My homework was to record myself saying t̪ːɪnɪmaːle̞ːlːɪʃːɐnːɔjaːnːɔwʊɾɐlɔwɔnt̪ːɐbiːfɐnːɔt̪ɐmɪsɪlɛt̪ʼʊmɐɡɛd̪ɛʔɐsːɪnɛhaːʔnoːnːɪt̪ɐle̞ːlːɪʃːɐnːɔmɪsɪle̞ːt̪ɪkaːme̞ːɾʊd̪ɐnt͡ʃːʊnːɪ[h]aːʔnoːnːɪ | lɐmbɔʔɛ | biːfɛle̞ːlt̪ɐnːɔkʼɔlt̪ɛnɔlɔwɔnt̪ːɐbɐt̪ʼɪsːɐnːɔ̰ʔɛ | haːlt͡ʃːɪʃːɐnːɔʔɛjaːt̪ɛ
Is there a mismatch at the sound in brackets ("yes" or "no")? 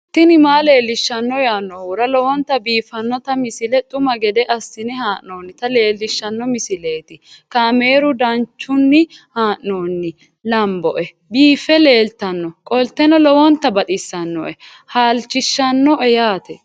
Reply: no